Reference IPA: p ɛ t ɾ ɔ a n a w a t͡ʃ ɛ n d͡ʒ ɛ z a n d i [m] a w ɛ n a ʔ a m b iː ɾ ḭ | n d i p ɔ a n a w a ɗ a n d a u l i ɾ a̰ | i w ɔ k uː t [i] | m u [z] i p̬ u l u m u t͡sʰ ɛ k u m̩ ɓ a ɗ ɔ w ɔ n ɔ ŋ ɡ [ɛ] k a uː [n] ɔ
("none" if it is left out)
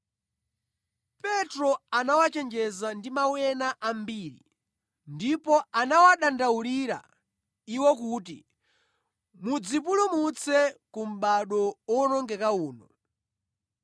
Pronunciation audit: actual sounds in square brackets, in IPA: m, i, d͡z, ɛ, n

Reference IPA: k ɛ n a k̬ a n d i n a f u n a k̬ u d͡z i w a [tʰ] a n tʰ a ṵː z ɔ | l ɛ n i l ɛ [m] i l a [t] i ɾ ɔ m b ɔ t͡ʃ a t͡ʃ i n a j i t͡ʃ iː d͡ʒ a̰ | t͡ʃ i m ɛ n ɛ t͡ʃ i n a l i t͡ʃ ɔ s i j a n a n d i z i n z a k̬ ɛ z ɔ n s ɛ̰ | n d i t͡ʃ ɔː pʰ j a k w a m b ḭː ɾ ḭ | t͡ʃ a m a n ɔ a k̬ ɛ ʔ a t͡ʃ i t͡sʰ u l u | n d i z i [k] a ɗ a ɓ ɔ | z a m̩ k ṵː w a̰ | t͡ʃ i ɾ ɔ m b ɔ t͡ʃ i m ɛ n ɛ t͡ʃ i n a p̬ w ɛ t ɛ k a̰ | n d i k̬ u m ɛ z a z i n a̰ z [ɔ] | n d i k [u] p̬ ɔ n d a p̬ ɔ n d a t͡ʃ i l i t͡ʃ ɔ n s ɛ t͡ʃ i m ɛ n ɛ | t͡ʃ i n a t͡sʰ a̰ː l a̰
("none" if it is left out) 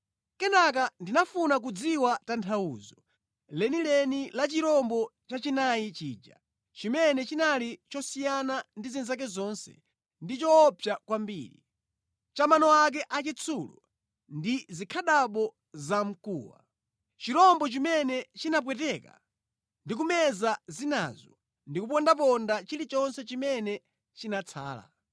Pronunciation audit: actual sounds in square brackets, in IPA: t, n, t͡ʃ, kʰ, ɔ, u

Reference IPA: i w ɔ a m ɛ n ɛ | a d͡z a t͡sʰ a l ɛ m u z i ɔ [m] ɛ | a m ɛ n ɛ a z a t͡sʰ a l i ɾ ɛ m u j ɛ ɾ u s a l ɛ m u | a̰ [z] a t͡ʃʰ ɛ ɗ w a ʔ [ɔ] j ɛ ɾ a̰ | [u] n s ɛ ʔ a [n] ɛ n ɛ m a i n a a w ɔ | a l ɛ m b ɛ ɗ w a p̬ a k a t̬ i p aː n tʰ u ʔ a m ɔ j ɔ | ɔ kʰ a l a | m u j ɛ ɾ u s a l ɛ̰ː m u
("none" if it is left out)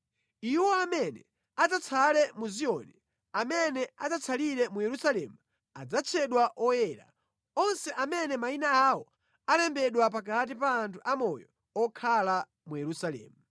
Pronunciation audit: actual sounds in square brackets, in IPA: n, d͡z, ɔ, ɔ, m

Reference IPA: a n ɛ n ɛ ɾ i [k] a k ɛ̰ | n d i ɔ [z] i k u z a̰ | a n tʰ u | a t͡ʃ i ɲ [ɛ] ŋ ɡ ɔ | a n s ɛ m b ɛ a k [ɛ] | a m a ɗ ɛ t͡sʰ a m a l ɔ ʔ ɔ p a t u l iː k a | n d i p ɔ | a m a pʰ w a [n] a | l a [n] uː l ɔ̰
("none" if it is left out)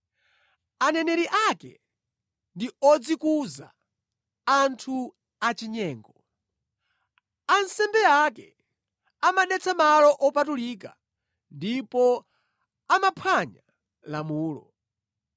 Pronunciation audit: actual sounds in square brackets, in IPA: ʔ, d͡z, ɛː, ɛ, ɲ, m

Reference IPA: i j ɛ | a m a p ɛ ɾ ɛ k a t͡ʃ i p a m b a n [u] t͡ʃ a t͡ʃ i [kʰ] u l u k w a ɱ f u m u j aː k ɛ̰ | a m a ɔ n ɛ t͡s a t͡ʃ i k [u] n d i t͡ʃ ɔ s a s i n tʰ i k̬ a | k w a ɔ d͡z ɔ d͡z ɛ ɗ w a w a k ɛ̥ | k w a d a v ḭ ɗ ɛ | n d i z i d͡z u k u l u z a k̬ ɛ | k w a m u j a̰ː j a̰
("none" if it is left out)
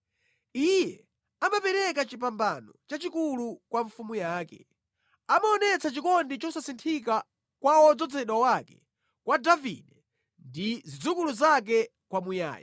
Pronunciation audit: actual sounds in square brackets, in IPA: ɔ, k, ɔ

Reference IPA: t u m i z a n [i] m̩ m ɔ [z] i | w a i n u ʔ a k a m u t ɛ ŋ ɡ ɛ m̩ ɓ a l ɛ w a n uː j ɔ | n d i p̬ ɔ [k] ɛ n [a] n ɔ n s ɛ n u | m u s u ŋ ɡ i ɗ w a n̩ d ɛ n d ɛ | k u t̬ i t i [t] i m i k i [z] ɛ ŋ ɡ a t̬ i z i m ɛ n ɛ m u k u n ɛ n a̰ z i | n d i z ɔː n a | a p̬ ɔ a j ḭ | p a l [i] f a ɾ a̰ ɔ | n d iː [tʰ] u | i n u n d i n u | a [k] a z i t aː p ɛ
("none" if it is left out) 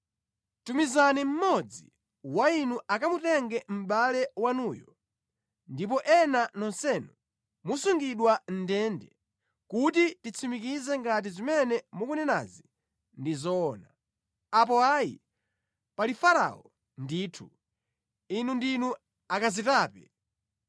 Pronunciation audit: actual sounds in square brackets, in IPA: i, d͡z, ʔ, a, t͡sʰ, z, i, tʰ, k

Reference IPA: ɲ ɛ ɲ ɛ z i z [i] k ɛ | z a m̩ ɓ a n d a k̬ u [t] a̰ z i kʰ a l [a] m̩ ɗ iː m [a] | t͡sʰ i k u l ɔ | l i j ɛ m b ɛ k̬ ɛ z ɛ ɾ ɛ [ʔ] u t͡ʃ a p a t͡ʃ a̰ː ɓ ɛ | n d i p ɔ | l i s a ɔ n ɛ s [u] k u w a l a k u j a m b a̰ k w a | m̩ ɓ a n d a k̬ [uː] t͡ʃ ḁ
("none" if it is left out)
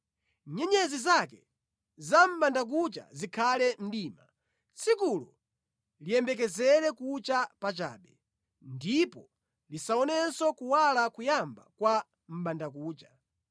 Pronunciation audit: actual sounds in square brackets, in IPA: a, t͡ʃ, ɛ, a, k, ɔ, uː

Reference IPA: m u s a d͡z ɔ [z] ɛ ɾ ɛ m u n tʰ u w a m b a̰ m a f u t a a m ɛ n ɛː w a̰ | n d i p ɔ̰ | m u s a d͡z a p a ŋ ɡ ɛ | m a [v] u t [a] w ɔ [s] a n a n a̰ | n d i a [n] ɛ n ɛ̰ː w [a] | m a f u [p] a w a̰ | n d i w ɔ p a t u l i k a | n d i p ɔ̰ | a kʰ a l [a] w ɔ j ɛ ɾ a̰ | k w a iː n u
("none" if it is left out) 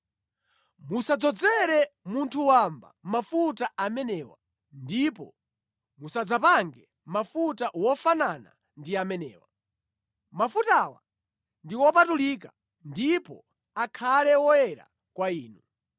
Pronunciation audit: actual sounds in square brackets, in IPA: d͡z, f, a, f, m, a, t, ɛ

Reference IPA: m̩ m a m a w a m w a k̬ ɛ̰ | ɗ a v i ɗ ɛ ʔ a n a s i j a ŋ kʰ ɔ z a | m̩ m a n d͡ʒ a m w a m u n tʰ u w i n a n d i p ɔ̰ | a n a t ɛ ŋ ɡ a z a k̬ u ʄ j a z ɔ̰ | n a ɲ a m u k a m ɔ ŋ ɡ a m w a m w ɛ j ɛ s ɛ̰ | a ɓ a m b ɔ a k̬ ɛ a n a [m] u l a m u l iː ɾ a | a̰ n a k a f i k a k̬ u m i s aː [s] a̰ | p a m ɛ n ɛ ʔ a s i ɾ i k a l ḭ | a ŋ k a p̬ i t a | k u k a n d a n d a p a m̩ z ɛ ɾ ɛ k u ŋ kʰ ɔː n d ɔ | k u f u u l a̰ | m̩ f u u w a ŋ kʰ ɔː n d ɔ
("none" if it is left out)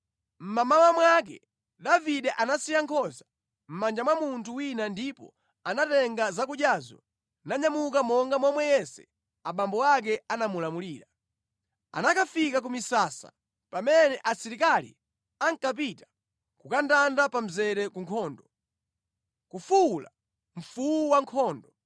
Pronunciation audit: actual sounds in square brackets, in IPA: m, s

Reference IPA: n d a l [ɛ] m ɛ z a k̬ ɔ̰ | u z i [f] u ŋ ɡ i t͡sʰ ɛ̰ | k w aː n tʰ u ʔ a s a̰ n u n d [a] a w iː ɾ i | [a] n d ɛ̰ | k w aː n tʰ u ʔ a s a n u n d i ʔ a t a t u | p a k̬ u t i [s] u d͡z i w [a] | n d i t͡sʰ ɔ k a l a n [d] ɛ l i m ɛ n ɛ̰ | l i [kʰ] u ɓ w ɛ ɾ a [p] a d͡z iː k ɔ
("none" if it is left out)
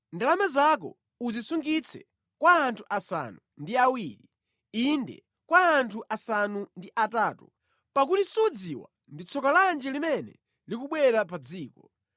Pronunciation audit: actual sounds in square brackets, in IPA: a, s, i, i, s, a, d͡ʒ, k, p

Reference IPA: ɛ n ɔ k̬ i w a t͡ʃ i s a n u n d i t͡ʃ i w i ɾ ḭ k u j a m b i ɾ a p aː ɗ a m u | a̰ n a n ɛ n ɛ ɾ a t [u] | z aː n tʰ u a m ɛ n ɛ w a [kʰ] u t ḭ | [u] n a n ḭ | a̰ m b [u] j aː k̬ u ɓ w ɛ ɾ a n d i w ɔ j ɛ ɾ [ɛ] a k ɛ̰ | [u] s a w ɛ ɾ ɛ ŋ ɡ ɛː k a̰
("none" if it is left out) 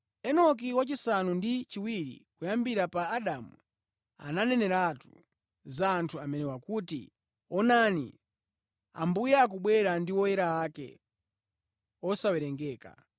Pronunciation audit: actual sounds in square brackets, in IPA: u, k, ɔ, u, a, ɔ

